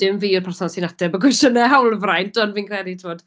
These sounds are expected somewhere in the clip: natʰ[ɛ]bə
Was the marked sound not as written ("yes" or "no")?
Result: no